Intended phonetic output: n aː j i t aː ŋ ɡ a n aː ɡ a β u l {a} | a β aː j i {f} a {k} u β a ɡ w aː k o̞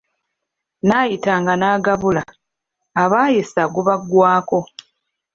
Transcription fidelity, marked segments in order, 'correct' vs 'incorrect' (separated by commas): correct, incorrect, incorrect